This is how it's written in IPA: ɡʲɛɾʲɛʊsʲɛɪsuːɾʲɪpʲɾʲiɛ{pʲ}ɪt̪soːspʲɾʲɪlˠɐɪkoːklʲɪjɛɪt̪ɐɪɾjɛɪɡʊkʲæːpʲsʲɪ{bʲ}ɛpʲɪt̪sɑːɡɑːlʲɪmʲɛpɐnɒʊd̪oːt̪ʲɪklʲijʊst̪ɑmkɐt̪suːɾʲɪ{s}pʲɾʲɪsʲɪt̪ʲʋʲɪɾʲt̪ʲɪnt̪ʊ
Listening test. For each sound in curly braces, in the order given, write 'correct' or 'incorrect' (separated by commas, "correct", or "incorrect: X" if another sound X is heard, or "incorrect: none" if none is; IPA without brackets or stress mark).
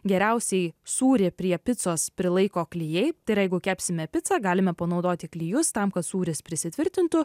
correct, incorrect: mʲ, correct